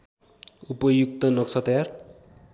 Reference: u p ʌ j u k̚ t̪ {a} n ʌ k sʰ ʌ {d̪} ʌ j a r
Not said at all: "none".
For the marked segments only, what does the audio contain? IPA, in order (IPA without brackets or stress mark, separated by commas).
ʌ, t̪